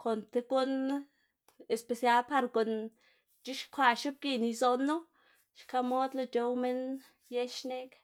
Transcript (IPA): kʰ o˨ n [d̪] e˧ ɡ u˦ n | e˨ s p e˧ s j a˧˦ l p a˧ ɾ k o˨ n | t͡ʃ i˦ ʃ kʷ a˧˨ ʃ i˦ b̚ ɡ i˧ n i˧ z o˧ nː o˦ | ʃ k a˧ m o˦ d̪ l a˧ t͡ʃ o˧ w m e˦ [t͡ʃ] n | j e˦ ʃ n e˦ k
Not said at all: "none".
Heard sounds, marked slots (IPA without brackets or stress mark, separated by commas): t̪, none